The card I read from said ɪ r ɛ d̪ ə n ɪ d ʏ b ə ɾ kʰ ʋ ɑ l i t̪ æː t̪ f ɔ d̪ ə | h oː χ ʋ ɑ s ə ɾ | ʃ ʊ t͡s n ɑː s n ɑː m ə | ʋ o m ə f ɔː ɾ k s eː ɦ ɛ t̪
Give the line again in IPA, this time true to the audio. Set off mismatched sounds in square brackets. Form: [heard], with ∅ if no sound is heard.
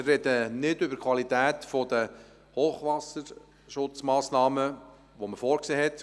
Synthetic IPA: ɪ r ɛ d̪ ə n ɪ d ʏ b ə ɾ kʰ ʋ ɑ l i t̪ æː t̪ f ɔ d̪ ə | h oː χ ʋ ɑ s ə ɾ | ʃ ʊ t͡s [m] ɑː s n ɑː m ə | ʋ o m ə f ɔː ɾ k s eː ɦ ɛ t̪